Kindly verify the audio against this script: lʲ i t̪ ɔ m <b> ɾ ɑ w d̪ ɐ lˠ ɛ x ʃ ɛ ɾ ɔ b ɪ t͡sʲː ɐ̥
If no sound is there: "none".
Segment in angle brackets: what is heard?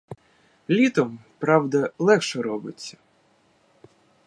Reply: p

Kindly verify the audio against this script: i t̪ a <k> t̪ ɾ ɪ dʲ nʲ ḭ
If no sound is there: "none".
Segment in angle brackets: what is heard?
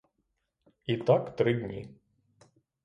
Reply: k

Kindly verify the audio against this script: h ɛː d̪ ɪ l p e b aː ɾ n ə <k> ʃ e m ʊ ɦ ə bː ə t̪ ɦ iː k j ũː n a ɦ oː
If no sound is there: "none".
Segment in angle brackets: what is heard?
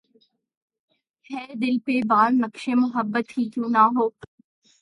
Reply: k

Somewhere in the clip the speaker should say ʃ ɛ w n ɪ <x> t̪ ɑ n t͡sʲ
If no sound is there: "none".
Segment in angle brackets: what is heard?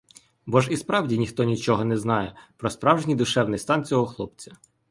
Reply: s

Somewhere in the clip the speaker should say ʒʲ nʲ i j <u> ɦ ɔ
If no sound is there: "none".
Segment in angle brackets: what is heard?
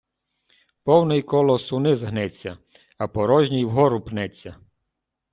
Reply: w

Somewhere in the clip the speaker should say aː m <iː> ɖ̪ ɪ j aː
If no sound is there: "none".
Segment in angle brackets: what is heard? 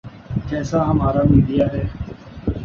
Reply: iː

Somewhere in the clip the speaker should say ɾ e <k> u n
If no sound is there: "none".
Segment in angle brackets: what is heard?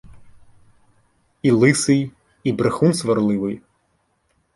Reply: x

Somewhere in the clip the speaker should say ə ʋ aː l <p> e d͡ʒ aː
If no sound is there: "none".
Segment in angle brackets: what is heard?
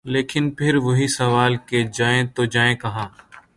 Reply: k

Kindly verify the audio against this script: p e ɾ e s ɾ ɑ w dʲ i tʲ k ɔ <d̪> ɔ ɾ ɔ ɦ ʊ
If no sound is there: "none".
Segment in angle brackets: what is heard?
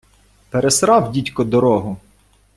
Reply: d̪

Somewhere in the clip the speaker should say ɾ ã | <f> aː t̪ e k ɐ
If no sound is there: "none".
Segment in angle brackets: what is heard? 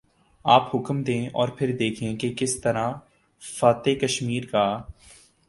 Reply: f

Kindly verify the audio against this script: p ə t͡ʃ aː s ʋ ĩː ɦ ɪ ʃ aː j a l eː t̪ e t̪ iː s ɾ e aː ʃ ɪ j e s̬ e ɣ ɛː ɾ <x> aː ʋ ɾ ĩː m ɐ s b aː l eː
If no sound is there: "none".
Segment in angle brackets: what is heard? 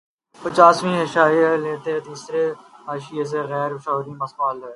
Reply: ʃ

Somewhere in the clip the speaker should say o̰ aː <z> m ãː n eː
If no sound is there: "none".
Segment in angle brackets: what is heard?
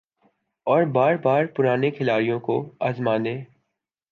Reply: z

